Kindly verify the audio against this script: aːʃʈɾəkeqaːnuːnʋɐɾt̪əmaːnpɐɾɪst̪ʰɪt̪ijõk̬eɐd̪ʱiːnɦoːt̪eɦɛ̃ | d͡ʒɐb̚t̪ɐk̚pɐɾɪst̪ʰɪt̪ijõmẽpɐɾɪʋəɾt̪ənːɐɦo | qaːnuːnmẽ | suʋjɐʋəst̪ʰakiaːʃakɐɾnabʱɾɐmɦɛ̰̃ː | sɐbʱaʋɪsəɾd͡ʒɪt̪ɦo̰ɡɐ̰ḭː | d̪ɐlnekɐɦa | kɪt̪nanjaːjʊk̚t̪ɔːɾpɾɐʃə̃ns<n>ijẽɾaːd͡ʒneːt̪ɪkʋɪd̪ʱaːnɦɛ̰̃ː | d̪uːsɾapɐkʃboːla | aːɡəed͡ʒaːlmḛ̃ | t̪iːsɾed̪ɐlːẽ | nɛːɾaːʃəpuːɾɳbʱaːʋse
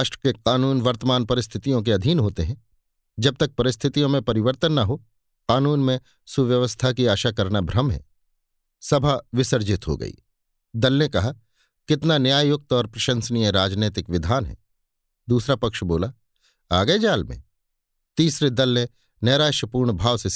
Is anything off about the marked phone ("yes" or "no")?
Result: no